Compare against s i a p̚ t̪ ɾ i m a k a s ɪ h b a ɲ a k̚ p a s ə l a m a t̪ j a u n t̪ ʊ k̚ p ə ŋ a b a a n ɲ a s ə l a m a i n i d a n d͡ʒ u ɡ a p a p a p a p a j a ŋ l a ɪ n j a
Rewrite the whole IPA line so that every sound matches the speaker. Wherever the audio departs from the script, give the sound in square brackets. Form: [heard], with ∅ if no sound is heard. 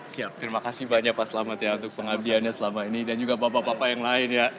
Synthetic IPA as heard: s i a p̚ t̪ ɾ i m a k a s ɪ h b a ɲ a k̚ p a s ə l a m a t̪ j a u n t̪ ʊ k̚ p ə ŋ a b [i] a n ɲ a s ə l a m a i n i d a n d͡ʒ u ɡ a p a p a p a p a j a ŋ l a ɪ n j a